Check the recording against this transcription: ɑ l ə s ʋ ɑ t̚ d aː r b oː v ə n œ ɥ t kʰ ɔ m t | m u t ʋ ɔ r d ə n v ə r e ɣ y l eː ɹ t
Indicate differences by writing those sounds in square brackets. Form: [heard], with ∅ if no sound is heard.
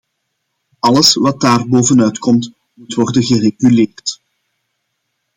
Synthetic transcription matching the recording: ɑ l ə s ʋ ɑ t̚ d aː r b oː v ə n œ ɥ t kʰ ɔ m t | m u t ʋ ɔ r d ə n [ɣ] ə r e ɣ y l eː [r] t

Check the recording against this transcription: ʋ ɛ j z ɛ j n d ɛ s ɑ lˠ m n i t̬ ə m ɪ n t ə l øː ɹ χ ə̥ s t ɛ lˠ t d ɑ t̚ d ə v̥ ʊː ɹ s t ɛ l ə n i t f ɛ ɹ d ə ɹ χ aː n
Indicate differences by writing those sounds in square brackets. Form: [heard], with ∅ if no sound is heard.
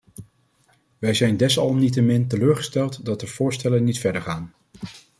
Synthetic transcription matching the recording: ʋ ɛ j z ɛ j n d ɛ s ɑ lˠ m n i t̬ ə m ɪ n t ə l øː ɹ χ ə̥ s t ɛ lˠ t d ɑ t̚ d ə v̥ ʊː ɹ s t ɛ l ə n i t f ɛ ɹ d ə ɹ χ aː n

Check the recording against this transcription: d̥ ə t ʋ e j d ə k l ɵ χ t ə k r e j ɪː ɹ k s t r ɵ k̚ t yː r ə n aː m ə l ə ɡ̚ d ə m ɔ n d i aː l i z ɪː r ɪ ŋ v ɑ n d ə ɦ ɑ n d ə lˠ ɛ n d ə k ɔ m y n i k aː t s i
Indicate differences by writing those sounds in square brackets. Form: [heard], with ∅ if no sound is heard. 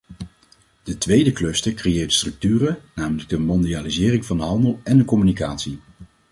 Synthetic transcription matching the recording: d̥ ə t ʋ e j d ə k l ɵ [s] t ə k r e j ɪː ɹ [t] s t r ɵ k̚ t yː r ə n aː m ə l ə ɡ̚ d ə m ɔ n d i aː l i z ɪː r ɪ ŋ v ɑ n d ə ɦ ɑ n d ə lˠ ɛ n d ə k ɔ m y n i k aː t s i

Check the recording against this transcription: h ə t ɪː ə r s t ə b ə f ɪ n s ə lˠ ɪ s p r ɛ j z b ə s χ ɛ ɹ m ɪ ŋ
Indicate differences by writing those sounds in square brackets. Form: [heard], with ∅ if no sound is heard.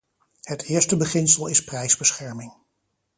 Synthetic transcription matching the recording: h ə t ɪː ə [ɹ] s t ə b ə [χ] ɪ n s ə lˠ ɪ s p r ɛ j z b ə s χ ɛ ɹ m ɪ ŋ

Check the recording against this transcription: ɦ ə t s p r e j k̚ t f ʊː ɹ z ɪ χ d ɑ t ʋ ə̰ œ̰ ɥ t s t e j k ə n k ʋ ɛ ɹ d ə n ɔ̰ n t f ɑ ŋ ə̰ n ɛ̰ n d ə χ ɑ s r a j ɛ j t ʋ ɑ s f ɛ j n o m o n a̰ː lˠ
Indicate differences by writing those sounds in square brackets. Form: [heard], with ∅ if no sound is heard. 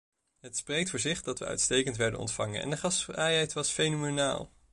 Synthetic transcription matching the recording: ɦ ə t s p r e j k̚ t f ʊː ɹ z ɪ χ d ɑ t ʋ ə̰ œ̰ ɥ t s t e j k ə n [t] ʋ ɛ ɹ d ə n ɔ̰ n t f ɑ ŋ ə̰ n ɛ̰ n d ə χ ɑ s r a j ɛ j t ʋ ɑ s f [e] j n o m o n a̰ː lˠ

